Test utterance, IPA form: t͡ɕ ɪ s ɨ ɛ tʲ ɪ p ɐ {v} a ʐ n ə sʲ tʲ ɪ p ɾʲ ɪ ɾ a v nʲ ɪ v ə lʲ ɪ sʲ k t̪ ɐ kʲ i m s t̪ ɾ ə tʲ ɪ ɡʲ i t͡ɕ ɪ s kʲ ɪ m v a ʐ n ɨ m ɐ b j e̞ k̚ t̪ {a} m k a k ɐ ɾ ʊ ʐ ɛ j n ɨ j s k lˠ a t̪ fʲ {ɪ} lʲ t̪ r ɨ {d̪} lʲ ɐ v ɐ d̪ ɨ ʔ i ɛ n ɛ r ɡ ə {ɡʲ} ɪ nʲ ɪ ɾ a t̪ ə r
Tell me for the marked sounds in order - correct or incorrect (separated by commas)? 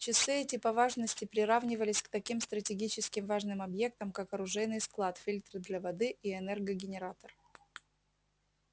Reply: correct, incorrect, incorrect, correct, correct